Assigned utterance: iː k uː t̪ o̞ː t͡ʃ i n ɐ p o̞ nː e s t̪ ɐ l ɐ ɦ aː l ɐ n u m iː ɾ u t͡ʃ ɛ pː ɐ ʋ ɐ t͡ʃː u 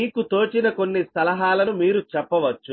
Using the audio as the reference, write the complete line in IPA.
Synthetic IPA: iː k u t̪ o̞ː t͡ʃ i n ɐ k o̞ nː i s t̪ ɐ l ɐ ɦ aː l ɐ n u m iː ɾ u t͡ʃ ɛ pː ɐ ʋ ɐ t͡ʃː u